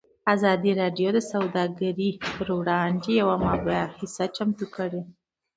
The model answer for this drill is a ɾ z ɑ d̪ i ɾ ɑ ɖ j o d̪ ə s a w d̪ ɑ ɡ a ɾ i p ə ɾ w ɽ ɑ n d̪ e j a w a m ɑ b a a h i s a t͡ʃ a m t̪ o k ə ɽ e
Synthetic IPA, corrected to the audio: a z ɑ d̪ i ɾ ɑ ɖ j o d̪ ə s a w d̪ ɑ ɡ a ɾ i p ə ɾ w ɽ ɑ n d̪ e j a w a m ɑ b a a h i s a t͡ʃ a m t̪ u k ə ɽ e